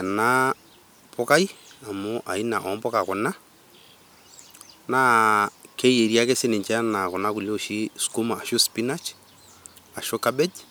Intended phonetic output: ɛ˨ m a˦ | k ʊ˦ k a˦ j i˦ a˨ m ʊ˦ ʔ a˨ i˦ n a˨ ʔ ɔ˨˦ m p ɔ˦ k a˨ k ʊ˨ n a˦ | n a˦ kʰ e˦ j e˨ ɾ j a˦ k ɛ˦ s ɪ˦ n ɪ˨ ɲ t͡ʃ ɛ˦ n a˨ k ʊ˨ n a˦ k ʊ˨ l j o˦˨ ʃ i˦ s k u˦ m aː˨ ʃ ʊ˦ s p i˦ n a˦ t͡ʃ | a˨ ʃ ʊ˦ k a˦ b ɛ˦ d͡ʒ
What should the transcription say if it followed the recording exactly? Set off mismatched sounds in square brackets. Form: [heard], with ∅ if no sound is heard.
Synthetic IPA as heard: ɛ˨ [n] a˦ | [p] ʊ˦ k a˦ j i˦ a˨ m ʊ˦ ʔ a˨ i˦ n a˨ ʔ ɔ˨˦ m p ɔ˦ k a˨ k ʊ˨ n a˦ | n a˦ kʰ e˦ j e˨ ɾ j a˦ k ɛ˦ s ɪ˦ n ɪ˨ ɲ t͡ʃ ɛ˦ n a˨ k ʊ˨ n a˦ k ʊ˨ l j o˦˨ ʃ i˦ s k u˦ m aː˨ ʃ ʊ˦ s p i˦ n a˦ t͡ʃ | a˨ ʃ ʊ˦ k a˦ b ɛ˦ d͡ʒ